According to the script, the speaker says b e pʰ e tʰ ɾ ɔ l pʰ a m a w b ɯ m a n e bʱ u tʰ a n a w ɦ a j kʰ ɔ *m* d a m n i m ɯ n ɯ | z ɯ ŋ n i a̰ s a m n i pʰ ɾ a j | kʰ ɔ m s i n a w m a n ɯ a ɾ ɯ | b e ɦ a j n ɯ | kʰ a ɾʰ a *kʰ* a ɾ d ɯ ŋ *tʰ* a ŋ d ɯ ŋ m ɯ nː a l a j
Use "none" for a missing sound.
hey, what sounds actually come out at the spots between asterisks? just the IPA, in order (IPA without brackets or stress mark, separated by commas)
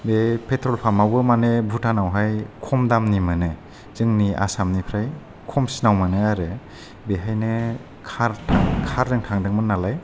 m, kʰ, tʰ